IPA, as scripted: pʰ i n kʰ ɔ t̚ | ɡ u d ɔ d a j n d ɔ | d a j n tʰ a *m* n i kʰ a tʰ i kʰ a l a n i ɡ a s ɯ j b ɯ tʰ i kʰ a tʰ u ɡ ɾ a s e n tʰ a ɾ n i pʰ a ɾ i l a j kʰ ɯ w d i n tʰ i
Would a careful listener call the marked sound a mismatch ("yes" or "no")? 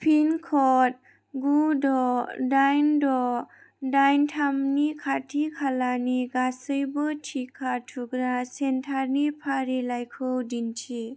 no